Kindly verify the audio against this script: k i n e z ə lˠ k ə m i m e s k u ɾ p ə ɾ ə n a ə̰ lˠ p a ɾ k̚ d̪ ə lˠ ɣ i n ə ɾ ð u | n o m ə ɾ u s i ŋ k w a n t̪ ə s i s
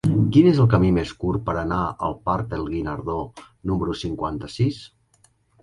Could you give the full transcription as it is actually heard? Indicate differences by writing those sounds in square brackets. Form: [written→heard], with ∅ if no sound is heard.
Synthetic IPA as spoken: k i n e z ə lˠ k ə m i m e s k u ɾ p ə ɾ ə n a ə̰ lˠ p a ɾ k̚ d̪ ə lˠ ɣ i n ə ɾ ð [u→o] | n [o→u] m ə ɾ u s i ŋ k w a n t̪ ə s i s

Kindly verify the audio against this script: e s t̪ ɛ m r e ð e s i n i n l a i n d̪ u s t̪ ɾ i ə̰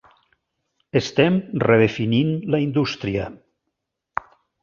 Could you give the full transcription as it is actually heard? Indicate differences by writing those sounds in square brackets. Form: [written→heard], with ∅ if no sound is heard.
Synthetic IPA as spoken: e s t̪ ɛ m r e ð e [s→f] i n i n l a i n d̪ u s t̪ ɾ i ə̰

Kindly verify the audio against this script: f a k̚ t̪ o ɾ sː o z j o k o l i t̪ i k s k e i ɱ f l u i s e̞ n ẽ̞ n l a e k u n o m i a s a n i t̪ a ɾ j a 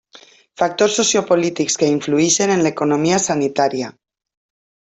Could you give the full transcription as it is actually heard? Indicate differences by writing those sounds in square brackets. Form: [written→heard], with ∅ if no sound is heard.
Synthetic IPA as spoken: f a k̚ t̪ o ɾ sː o [z→s] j o [k→p] o l i t̪ i k s k e i ɱ f l u i [s→ʃ] e̞ n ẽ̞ n l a e k [u→o] n o m i a s a n i t̪ a ɾ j a

